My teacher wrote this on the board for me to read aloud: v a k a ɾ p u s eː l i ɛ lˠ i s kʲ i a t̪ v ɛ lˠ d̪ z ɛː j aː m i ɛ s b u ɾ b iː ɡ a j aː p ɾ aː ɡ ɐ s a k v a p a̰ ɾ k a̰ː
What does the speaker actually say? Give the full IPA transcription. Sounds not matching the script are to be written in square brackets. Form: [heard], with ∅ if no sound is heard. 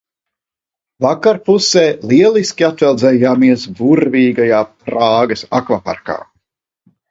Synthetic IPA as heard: v a k a ɾ p u s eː l i ɛ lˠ i s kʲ i a t̪ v ɛ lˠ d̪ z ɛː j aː m i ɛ s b u ɾ [v] iː ɡ a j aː p ɾ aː ɡ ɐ s a k v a p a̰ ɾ k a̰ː

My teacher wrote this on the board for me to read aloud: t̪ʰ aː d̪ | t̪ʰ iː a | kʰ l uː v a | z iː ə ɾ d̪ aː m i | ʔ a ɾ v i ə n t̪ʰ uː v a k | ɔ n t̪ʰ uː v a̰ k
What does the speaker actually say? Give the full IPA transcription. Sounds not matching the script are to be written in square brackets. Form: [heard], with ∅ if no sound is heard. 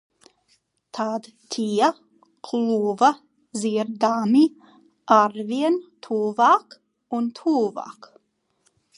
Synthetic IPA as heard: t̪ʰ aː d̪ | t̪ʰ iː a | kʰ l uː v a | z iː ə ɾ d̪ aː m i | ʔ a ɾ v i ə n t̪ʰ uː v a k | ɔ n t̪ʰ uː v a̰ k

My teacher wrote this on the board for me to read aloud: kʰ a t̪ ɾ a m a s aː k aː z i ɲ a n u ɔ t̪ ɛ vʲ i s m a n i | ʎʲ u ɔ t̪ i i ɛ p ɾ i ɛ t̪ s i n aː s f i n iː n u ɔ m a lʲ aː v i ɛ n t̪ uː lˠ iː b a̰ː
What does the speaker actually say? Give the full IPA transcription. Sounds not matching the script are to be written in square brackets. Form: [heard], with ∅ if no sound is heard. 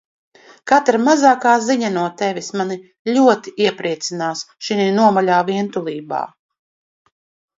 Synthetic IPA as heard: [k] a t̪ ɾ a m a [z] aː k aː z i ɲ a n u ɔ t̪ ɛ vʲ i s m a n i | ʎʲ u ɔ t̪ i i ɛ p ɾ i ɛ t̪ s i n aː s [ʃ] i n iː n u ɔ m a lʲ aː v i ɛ n t̪ [u] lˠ iː b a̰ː

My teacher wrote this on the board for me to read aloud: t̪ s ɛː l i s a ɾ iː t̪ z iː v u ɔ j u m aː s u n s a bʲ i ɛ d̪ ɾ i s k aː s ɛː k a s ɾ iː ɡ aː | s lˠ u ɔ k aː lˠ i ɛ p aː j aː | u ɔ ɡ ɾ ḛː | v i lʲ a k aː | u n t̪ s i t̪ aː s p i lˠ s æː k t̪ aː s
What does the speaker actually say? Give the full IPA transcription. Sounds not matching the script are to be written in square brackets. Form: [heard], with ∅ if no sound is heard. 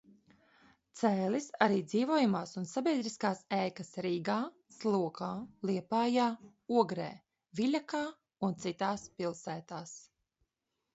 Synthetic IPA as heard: t̪ s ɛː l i s a ɾ iː [d̪] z iː v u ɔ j u m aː s u n s a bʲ i ɛ d̪ ɾ i s k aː s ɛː k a s ɾ iː ɡ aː | s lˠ u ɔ k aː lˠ i ɛ p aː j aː | u ɔ ɡ ɾ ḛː | v i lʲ a k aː | u n t̪ s i t̪ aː s p i lˠ s æː [∅] t̪ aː s

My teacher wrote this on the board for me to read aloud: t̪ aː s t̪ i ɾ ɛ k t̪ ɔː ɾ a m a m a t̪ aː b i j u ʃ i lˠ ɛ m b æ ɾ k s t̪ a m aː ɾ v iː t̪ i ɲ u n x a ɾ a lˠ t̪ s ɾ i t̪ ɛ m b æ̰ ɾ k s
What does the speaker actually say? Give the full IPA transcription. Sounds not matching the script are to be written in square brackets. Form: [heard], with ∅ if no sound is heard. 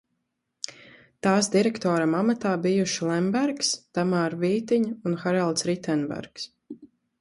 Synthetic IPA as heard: t̪ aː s [d̪] i ɾ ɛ k t̪ ɔː ɾ a m a m a t̪ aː b i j u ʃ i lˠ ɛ m b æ ɾ k s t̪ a m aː ɾ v iː t̪ i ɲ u n x a ɾ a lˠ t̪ s ɾ i t̪ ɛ [n] b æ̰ ɾ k s

